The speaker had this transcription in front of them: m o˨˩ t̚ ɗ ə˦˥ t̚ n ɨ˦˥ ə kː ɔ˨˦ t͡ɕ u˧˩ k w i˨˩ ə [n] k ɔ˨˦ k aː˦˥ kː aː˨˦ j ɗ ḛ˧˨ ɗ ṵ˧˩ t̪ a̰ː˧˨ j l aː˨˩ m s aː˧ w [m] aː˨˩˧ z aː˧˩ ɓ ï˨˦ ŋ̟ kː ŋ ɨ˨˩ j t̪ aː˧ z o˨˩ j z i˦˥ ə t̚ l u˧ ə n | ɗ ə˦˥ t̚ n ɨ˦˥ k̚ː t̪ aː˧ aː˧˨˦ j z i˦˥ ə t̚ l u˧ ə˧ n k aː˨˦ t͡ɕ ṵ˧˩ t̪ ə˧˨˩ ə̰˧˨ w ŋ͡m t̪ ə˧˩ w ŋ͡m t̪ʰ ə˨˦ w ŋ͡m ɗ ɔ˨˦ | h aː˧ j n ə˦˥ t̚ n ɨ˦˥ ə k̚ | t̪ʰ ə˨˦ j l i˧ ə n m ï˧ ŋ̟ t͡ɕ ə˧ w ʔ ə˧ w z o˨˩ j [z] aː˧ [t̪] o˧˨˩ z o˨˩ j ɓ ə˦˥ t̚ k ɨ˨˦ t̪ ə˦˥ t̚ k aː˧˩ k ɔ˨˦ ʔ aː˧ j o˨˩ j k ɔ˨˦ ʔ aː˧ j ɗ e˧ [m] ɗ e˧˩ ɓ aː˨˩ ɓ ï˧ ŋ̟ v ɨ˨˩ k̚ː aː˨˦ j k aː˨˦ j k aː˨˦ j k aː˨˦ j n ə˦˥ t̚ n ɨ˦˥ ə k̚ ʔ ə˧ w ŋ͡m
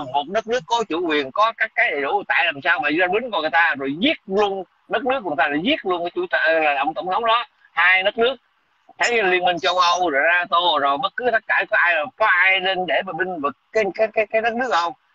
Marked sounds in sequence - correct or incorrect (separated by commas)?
correct, correct, correct, correct, incorrect